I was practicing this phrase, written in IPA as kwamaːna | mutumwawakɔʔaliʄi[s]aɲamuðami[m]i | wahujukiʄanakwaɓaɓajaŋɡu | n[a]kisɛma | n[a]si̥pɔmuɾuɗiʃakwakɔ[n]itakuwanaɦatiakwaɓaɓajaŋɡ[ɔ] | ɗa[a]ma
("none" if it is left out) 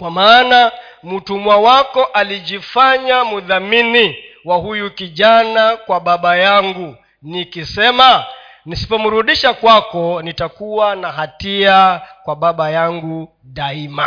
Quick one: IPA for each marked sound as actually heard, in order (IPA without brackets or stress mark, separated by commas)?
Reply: f, n, i, i, n, u, i